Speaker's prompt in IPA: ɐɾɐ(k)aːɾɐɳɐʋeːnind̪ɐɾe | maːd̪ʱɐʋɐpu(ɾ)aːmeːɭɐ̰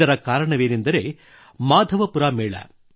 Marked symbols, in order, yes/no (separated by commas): yes, yes